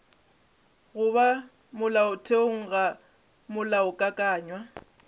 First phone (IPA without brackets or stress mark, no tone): ɣ